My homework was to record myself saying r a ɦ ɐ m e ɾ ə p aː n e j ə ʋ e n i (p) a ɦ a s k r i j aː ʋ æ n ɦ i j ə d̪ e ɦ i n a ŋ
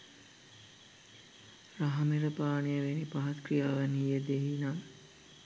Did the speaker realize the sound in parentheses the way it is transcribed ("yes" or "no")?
yes